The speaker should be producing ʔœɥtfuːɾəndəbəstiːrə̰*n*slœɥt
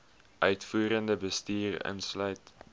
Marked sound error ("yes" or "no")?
no